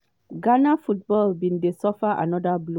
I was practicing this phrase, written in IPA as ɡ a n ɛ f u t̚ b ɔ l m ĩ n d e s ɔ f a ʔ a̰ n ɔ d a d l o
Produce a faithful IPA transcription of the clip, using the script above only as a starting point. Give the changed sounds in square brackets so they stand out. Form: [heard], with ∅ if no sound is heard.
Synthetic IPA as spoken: ɡ a n [a] f u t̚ b ɔ l [b] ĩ n d e s ɔ f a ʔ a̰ n ɔ d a [b] l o